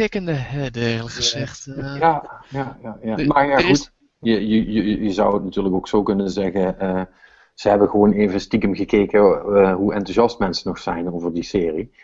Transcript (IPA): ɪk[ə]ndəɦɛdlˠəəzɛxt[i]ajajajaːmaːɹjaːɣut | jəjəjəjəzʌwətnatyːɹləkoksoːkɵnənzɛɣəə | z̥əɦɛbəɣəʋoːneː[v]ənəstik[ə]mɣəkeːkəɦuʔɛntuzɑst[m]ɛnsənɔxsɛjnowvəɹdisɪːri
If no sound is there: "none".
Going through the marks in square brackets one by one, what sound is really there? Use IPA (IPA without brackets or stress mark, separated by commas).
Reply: ə, j, v, ə, m